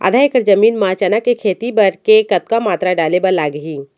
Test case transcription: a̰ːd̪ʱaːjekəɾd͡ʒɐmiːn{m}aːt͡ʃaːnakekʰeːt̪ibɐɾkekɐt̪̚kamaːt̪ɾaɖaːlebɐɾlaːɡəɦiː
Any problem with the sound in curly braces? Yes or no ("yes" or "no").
no